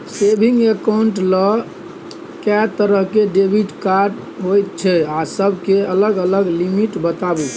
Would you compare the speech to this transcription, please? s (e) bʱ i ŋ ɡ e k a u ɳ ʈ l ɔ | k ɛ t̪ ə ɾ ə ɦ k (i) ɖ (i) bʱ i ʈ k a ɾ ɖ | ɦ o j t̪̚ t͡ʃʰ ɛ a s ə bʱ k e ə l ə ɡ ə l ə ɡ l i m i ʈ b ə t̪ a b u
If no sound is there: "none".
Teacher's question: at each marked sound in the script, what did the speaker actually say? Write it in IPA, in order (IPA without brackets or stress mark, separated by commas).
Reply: e, e, e